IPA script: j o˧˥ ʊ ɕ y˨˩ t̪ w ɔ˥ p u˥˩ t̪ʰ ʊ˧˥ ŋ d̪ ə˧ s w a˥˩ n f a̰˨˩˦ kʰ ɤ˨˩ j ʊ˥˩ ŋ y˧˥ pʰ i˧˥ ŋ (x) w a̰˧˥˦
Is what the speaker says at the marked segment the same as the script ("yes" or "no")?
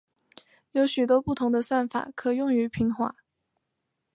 yes